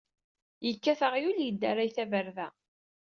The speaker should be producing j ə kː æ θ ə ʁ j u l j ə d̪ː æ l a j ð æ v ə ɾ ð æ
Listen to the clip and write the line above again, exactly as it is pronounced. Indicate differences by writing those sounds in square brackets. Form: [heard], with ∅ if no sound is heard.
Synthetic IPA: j ə kː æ θ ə ʁ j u l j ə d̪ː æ [ɾ] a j [θ] æ v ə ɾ ð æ